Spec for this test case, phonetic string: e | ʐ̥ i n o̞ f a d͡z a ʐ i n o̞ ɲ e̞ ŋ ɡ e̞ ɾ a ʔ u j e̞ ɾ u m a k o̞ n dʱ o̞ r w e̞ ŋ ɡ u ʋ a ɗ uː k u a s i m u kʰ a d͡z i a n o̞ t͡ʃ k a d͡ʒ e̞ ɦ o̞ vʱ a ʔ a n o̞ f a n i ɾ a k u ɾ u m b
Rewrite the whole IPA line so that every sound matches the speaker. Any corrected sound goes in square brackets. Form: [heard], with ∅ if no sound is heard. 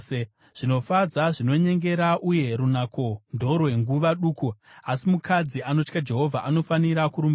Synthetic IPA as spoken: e | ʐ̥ i n o̞ f a d͡z a ʐ i n o̞ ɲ e̞ ŋ ɡ e̞ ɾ a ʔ u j e̞ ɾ u [n] a k o̞ n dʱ o̞ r w e̞ ŋ ɡ u ʋ a ɗ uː k u a s i m u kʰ a d͡z i a n o̞ t͡ʃ k a d͡ʒ e̞ ɦ o̞ vʱ a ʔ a n o̞ f a n i ɾ a k u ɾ u m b